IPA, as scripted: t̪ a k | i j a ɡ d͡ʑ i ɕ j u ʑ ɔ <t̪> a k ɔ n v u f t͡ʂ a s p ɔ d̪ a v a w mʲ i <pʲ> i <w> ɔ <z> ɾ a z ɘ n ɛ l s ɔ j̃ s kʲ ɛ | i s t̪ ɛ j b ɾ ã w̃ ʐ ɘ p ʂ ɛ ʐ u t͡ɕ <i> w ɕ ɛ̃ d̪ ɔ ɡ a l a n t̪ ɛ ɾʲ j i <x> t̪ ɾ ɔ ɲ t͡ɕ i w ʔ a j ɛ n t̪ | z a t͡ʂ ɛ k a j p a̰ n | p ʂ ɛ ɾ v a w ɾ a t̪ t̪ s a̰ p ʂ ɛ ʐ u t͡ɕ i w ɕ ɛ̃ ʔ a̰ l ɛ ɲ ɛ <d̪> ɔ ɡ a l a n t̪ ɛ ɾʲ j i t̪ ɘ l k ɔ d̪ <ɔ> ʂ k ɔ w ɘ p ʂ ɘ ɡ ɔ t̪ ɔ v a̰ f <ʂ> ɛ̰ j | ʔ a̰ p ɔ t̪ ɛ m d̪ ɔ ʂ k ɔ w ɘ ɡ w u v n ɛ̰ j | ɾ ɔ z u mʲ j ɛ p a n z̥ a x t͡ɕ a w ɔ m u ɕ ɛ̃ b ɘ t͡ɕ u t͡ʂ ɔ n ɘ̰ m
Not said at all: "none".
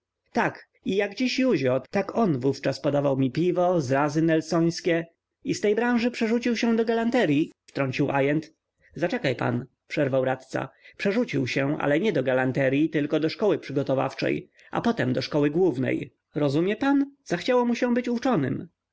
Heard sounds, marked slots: t̪, pʲ, v, z, i, f, d̪, ɔ, t͡ʂ

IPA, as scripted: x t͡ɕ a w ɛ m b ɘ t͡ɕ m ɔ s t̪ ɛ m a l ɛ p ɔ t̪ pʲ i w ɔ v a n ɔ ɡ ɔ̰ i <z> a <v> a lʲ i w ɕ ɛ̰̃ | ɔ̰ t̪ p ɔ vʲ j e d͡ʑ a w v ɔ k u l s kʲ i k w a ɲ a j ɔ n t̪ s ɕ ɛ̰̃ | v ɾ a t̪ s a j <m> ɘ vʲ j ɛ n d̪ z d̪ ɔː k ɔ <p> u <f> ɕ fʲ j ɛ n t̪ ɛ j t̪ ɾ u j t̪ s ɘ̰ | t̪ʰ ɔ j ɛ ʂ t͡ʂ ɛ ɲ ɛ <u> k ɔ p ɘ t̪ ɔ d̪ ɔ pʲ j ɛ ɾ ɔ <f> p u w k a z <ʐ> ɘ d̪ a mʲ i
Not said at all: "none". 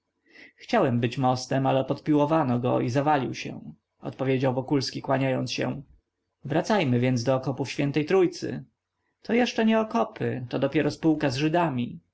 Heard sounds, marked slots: z, v, m, p, f, ɔ, s, ʐ

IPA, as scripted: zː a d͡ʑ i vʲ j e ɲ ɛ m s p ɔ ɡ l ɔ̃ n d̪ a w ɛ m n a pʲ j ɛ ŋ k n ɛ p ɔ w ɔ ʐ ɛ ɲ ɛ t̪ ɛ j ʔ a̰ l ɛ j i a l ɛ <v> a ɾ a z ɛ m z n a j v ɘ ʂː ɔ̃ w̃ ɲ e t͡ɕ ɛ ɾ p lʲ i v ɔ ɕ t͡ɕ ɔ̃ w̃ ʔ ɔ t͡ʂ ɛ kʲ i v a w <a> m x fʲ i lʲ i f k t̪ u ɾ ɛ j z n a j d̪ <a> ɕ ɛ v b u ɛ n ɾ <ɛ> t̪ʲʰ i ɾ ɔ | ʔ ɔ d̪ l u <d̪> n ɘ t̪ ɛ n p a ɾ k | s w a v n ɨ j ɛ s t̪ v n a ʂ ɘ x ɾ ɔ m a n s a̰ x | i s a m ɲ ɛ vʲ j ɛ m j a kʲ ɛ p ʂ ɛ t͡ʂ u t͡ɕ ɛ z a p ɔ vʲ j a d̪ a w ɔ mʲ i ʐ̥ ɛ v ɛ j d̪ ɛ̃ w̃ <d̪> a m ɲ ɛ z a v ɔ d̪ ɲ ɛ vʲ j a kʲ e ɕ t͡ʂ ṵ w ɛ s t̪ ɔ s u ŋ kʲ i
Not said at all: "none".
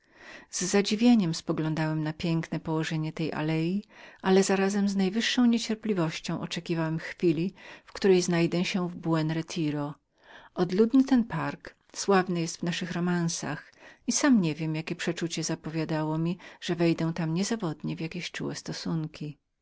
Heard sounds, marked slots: z, ɛ, ɛ, ɛ, d̪, t̪

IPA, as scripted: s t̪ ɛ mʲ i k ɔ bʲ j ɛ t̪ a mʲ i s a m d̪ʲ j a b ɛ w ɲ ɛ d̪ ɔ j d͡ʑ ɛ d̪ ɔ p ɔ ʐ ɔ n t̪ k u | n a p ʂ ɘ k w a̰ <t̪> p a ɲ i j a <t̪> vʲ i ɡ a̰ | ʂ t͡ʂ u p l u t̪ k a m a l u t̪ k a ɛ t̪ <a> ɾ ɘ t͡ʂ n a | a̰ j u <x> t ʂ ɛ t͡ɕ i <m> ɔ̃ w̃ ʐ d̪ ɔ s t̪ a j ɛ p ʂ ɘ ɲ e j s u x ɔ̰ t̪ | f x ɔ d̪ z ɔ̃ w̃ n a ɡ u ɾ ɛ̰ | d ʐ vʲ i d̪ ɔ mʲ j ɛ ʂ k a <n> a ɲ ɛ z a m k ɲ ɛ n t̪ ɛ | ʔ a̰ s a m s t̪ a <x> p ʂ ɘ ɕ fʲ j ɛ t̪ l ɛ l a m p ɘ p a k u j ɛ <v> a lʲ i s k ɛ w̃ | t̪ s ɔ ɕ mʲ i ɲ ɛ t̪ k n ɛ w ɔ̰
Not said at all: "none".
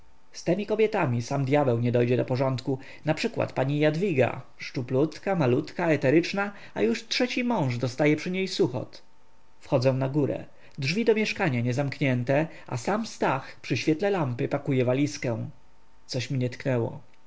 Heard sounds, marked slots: t̪, d̪, ɛ, ʂ, m, ɲ, x, v

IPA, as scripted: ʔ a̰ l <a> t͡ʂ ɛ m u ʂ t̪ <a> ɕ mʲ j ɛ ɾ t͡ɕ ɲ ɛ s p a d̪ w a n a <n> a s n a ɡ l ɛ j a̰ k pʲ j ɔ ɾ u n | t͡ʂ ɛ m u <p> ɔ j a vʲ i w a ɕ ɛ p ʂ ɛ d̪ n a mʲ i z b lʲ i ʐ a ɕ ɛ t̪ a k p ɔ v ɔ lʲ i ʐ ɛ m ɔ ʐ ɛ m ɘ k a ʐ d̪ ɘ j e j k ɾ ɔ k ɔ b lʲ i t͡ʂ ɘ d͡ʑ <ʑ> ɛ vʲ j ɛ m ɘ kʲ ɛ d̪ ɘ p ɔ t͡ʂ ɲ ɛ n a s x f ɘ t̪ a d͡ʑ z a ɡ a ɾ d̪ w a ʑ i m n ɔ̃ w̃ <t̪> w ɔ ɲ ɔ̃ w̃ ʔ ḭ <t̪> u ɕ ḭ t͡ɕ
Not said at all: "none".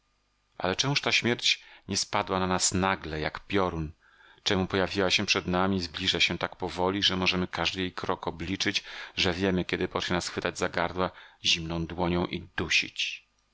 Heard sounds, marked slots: ɛ, a, n, p, ʐ, d̪, d̪

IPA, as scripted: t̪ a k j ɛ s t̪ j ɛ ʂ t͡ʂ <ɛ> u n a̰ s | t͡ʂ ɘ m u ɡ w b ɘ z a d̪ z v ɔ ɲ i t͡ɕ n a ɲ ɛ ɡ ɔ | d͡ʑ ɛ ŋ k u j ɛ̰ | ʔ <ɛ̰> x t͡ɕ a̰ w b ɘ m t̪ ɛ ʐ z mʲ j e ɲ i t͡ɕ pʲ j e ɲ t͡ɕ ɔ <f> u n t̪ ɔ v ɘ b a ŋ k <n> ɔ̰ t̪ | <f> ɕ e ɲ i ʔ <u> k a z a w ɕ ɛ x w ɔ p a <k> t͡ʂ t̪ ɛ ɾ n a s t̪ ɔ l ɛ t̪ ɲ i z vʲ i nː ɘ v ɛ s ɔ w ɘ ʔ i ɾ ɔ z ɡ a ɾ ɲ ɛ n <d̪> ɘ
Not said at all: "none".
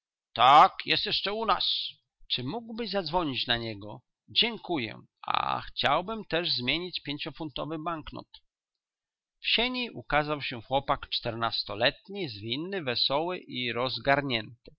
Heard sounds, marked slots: ɛ, a̰, f, n, f, u, k, t̪

